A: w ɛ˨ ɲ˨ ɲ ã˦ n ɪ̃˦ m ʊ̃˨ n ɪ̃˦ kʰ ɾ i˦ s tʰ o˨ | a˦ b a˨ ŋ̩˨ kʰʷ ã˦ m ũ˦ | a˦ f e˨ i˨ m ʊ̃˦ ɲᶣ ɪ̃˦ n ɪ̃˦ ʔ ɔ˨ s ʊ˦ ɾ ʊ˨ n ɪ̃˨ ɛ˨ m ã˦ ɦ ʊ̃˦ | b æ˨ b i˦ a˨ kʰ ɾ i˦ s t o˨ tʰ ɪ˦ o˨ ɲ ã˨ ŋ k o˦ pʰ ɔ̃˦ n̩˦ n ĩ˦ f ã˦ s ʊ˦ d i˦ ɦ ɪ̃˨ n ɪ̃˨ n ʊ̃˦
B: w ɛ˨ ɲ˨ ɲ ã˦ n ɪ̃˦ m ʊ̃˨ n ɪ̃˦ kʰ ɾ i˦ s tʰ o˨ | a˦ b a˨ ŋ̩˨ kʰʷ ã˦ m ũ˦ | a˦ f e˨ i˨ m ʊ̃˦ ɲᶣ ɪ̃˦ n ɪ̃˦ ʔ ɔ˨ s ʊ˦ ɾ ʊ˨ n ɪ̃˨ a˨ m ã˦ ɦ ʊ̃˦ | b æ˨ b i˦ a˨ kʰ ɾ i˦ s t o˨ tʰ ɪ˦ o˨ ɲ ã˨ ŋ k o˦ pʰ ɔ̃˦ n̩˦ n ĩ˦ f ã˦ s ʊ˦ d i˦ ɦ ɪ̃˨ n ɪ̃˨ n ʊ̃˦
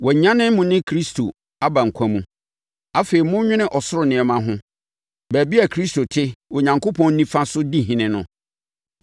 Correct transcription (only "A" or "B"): A